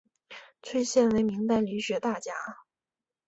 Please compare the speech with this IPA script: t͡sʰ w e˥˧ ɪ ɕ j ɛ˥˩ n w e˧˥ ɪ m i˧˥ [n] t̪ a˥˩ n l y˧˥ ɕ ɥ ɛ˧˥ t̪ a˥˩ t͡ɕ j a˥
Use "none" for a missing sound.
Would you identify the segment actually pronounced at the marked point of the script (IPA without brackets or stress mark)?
ŋ